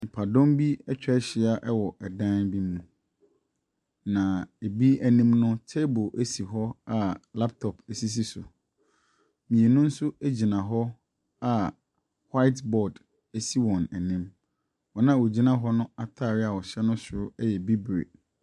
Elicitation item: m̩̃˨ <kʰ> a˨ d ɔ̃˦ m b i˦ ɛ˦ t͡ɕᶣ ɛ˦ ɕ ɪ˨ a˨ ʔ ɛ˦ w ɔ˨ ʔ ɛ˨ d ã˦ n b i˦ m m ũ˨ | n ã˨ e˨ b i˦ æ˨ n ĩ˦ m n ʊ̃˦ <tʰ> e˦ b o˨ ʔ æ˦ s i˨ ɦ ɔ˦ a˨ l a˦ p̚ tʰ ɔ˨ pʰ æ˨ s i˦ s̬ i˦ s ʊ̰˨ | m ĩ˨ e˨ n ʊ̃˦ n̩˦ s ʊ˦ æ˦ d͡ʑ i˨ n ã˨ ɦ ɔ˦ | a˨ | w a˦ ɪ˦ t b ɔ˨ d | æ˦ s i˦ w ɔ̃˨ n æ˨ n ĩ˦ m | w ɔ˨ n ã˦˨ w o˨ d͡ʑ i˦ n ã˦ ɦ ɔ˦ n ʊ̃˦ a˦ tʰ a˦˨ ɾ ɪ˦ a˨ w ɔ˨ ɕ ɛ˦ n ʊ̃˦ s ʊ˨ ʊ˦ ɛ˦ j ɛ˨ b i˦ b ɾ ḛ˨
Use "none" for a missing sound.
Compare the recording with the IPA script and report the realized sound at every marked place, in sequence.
pʰ, tʰ

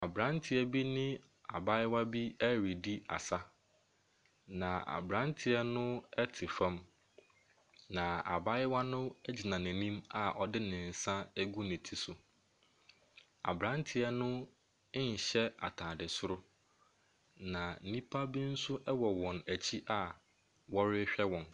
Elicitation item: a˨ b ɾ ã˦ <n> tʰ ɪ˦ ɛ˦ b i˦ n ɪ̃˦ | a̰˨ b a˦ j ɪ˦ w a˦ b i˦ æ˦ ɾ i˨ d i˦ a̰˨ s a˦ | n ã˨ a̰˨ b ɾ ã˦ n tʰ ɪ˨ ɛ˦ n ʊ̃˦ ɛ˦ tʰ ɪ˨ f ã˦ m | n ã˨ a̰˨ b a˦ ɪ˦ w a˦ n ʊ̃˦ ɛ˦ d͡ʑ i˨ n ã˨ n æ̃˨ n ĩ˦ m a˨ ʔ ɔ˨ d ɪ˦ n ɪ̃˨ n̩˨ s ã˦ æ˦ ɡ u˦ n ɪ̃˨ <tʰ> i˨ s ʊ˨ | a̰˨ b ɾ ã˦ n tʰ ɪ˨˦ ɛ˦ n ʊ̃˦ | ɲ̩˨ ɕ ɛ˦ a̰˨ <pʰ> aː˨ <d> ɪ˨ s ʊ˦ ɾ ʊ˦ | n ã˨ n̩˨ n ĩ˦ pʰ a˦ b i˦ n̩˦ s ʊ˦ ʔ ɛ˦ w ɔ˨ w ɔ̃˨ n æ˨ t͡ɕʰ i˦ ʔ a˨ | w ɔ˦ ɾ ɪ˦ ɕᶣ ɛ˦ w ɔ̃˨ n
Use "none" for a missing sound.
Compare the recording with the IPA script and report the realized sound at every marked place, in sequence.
n, tʰ, tʰ, d

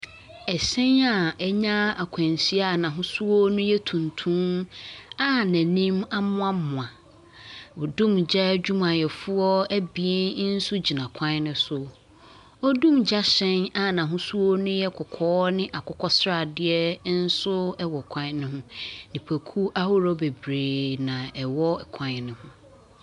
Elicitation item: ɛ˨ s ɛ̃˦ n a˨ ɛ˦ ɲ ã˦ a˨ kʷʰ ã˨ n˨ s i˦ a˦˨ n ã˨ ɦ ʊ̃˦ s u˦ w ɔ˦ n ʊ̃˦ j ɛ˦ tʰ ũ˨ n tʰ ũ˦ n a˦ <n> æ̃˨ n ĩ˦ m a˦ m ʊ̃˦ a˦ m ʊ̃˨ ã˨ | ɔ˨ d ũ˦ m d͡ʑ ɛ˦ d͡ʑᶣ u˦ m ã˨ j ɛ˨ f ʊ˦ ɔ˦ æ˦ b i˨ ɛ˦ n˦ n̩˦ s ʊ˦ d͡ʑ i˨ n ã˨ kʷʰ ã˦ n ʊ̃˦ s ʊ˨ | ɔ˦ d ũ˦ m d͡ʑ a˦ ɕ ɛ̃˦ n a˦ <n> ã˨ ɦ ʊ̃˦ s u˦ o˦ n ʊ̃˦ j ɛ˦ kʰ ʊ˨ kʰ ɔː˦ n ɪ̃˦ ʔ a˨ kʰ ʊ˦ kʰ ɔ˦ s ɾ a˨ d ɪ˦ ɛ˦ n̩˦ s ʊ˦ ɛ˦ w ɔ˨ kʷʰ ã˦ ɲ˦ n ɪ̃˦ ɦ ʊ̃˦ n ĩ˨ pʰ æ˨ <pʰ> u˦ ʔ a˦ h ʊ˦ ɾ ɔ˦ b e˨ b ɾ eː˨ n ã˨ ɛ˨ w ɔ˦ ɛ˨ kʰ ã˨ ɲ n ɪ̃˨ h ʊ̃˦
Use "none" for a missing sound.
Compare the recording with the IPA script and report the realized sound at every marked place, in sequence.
n, n, kʰ

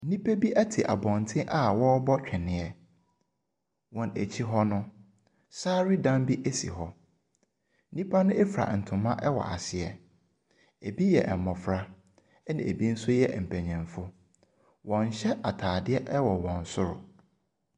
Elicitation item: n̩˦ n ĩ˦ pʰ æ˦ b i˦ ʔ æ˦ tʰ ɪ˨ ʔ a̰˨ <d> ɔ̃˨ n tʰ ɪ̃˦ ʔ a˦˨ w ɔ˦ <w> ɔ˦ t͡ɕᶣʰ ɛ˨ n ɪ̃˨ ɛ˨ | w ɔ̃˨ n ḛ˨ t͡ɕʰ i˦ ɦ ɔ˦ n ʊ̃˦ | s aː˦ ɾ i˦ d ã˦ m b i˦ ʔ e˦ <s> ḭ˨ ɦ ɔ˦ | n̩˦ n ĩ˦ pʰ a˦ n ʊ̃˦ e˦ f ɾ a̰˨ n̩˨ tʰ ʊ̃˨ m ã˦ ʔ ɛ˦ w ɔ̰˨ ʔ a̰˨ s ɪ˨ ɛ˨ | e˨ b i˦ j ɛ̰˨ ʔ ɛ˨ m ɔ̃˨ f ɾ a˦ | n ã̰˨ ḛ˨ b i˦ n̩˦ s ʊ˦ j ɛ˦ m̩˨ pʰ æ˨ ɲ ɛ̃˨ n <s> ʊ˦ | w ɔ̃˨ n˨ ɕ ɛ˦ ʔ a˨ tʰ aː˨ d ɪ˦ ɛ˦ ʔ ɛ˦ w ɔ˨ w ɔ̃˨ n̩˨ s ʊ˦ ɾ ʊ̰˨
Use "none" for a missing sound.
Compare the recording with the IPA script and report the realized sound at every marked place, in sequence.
b, b, s, f

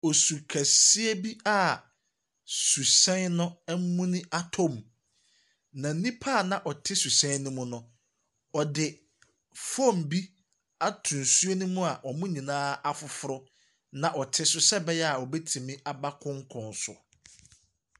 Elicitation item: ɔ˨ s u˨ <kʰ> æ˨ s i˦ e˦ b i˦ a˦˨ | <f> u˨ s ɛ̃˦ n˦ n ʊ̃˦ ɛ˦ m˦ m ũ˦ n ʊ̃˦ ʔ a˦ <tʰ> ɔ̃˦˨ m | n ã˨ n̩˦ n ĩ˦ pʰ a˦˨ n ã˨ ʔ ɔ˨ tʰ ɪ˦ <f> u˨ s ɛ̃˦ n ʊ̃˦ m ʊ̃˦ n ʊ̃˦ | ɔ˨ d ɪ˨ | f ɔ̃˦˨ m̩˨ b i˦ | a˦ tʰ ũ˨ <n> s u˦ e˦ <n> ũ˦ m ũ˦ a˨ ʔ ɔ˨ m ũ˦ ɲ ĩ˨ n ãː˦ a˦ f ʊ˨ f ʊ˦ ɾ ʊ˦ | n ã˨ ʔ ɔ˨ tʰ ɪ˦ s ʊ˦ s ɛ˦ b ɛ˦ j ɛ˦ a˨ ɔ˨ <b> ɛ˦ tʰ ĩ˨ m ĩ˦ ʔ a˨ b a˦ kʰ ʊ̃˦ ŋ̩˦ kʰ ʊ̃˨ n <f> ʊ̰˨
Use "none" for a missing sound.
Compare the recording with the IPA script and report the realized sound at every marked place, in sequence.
kʰ, s, tʰ, s, n, n, b, s

